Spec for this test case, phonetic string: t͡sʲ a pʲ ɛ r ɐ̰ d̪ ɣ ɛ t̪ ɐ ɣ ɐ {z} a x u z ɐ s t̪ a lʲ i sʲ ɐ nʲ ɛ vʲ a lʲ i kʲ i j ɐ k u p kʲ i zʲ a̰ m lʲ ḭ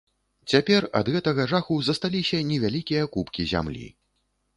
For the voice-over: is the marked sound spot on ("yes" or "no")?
no